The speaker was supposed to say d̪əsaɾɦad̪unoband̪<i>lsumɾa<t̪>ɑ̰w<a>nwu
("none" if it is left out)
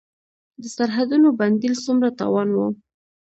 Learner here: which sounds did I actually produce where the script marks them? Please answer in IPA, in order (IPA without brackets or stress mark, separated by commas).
i, t̪, ɑ